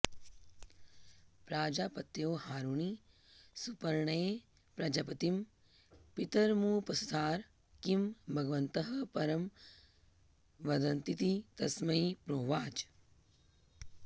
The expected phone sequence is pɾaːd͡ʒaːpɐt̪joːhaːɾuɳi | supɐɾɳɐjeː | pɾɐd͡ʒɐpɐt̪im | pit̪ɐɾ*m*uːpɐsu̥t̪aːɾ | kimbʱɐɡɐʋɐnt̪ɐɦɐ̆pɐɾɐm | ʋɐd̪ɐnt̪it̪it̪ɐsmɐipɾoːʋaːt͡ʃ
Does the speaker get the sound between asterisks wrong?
no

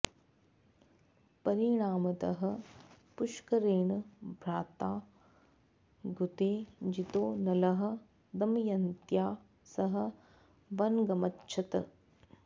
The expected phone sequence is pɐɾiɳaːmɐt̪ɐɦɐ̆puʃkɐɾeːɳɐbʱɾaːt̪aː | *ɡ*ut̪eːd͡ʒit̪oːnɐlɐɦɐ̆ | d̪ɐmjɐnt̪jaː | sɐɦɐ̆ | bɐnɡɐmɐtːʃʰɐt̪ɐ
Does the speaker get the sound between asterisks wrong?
no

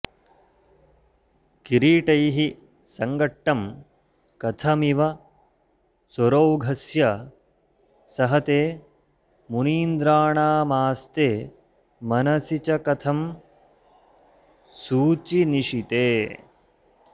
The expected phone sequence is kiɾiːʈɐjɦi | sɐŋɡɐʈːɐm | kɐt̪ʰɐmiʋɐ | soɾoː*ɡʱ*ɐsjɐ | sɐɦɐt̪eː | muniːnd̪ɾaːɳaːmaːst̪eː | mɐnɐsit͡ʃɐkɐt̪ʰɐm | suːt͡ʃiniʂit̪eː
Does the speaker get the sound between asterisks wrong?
no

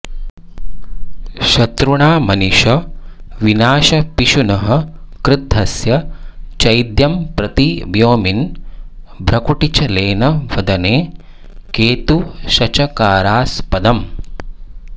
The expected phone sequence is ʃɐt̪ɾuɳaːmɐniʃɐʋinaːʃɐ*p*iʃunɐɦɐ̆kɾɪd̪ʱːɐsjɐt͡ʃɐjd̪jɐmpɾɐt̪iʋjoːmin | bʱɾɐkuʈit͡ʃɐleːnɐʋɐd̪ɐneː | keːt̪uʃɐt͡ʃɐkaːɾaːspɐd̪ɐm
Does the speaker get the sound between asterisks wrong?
no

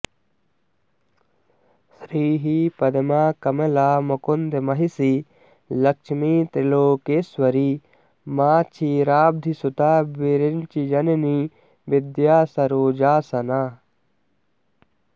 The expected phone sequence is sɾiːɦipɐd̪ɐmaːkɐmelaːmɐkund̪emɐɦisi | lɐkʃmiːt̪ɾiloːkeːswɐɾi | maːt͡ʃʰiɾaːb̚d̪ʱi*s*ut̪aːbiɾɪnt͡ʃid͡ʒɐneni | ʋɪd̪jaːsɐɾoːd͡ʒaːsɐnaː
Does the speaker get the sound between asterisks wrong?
no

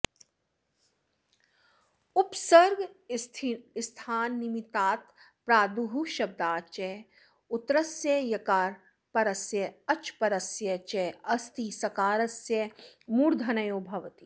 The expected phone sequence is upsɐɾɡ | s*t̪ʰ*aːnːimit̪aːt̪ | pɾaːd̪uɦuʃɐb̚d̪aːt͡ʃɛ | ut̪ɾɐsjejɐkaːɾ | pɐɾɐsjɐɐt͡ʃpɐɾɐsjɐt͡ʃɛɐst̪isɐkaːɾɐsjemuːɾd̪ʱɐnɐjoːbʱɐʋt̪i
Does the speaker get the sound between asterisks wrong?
no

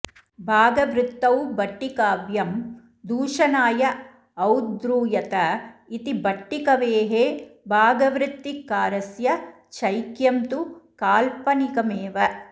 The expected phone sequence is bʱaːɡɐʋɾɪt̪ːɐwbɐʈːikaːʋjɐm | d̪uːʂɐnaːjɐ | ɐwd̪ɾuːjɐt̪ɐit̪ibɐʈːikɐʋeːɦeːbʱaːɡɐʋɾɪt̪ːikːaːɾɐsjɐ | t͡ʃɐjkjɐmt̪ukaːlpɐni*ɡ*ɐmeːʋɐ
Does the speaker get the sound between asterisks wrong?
yes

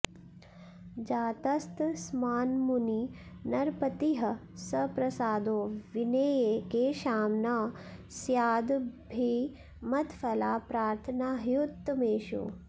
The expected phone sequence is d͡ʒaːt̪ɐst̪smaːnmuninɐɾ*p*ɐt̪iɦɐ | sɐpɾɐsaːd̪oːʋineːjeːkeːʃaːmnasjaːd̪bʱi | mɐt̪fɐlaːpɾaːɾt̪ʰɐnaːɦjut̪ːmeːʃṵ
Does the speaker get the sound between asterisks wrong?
no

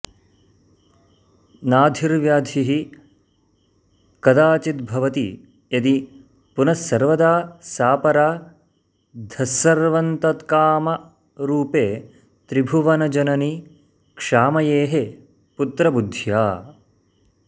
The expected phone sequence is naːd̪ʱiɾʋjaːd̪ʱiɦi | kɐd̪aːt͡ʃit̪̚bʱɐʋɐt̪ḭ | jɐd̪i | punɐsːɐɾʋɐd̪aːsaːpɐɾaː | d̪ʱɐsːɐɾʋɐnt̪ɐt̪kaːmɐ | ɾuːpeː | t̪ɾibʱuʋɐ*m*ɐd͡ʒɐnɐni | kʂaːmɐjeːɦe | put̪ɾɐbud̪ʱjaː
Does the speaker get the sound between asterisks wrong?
yes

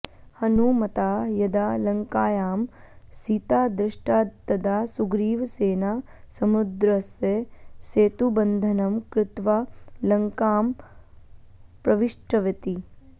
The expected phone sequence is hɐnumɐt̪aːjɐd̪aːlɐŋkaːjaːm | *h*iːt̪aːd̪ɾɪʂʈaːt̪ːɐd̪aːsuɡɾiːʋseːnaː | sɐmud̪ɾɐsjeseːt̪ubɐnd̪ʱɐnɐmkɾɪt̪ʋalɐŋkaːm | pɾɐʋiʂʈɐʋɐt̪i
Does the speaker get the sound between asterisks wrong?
yes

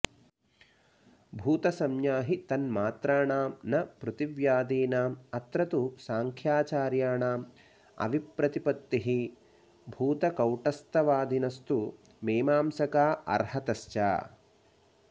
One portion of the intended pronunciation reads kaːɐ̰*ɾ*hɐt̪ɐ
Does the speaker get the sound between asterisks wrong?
no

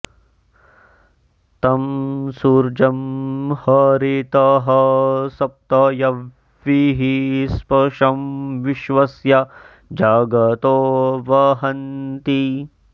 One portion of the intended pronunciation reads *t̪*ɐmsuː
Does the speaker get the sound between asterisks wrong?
no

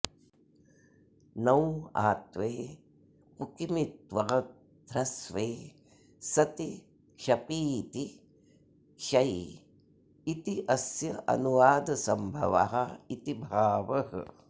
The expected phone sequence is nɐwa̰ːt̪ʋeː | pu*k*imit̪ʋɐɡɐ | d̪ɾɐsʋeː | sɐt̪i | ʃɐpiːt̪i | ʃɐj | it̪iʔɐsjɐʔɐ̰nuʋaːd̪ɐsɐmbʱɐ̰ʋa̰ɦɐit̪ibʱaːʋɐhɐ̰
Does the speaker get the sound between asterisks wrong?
no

